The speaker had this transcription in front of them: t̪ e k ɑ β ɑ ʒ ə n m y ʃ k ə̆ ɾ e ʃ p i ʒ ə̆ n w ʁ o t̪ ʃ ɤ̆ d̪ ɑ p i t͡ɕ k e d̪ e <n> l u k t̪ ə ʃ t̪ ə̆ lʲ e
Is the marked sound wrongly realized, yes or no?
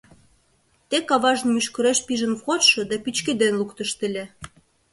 no